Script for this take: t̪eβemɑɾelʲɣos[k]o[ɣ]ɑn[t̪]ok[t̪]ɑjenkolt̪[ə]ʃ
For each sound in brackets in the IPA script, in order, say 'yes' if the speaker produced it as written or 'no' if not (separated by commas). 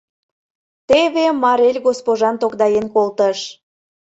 no, no, yes, no, yes